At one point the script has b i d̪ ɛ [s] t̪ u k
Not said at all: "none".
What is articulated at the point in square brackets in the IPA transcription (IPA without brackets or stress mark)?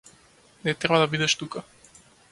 ʃ